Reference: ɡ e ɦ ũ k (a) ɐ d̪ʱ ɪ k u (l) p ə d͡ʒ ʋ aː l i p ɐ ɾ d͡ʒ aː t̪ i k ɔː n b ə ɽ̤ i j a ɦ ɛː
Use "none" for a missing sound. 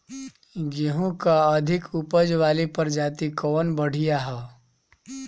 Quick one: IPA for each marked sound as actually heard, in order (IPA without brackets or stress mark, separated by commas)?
a, none